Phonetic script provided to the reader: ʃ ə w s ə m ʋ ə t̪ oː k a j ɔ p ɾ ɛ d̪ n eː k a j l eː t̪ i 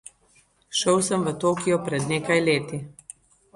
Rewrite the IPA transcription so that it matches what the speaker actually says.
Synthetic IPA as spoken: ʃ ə w s ə m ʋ ə t̪ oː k i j ɔ p ɾ ɛ d̪ n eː k a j l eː t̪ i